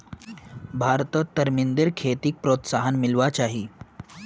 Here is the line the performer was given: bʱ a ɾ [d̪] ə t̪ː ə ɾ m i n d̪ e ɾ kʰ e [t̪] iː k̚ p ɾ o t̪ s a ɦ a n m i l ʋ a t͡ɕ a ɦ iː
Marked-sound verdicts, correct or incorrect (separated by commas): incorrect, correct